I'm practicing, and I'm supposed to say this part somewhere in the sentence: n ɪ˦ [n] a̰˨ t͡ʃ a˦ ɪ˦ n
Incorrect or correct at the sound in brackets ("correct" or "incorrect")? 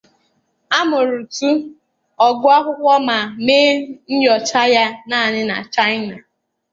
correct